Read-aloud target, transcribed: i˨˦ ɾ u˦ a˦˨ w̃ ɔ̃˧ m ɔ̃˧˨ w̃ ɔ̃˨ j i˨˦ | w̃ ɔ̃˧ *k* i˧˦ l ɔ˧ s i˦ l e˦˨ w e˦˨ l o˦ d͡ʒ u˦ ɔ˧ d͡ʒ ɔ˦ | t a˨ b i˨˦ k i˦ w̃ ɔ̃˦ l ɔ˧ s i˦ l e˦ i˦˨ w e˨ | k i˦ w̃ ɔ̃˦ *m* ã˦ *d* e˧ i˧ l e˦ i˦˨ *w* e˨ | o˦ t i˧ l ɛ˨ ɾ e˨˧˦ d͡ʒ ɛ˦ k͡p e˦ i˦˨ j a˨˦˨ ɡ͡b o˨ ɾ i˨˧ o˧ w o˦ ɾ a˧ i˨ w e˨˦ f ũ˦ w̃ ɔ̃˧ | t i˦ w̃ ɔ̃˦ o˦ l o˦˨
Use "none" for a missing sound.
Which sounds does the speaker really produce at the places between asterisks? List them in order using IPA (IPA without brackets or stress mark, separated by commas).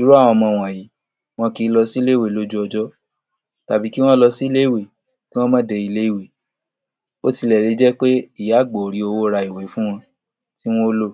k, m, d, w